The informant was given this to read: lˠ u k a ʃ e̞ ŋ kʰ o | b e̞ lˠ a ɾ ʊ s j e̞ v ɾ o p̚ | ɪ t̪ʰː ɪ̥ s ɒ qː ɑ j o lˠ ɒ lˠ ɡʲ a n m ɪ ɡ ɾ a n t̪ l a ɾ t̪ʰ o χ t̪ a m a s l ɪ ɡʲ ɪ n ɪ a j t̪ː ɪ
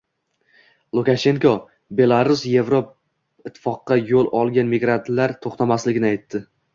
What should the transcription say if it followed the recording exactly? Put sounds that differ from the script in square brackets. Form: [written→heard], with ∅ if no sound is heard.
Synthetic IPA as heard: lˠ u k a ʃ e̞ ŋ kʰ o | b e̞ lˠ a ɾ ʊ s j e̞ v ɾ o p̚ | ɪ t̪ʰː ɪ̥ [s→f] ɒ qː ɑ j o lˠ ɒ lˠ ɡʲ a n m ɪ ɡ ɾ a n t̪ l a ɾ t̪ʰ o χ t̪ a m a s l ɪ ɡʲ ɪ n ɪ a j t̪ː ɪ